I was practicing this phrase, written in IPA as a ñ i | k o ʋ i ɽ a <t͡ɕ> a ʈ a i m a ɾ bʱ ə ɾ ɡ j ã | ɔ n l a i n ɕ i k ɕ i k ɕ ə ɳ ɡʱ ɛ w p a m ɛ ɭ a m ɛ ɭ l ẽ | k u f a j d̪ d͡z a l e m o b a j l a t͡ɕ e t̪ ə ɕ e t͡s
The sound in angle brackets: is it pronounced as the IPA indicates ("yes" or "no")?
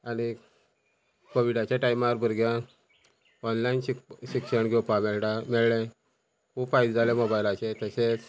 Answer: yes